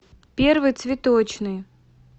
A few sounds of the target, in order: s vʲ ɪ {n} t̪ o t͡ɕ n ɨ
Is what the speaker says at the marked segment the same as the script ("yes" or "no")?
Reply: no